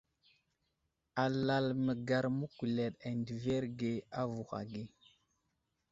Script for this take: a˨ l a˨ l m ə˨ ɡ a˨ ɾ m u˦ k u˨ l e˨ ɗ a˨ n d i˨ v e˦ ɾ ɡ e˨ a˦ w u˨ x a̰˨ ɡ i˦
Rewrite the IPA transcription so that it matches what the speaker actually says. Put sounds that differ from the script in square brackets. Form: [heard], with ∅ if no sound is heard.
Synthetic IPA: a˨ l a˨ l m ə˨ ɡ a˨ ɾ m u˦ k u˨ l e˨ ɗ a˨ n d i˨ v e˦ ɾ ɡ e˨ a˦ [v] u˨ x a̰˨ ɡ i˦

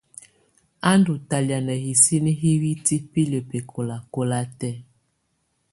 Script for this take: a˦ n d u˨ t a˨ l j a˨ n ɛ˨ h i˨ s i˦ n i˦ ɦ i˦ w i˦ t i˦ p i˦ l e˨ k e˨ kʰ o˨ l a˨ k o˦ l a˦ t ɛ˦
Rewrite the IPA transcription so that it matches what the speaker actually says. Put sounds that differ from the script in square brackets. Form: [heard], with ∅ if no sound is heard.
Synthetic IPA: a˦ n d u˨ t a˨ l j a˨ n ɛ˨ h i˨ s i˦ n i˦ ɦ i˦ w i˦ t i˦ p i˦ l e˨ [p] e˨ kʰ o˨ l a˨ k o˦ l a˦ t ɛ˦

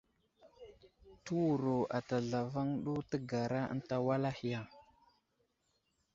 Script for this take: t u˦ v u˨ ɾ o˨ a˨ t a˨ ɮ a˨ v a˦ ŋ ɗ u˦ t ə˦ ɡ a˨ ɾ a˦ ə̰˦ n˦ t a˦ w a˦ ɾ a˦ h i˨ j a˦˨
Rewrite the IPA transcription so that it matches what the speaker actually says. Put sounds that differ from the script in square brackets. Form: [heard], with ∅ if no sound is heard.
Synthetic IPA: t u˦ [w] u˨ ɾ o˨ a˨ t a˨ ɮ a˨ v a˦ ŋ ɗ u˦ t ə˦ ɡ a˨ ɾ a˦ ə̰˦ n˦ t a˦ w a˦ [l] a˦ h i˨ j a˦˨

